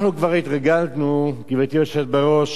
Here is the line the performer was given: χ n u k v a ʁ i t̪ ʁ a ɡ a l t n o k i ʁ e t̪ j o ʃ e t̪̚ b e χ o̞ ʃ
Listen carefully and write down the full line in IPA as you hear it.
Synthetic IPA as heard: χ n u k v a ʁ i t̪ ʁ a ɡ a l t n u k i v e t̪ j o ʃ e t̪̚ b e ʁ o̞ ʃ